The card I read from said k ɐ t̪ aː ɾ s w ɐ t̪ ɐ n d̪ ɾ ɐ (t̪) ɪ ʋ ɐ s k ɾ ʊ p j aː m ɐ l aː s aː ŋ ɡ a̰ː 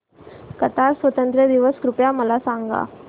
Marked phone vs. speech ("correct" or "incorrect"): incorrect